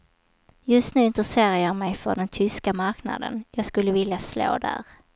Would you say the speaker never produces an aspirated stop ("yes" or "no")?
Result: no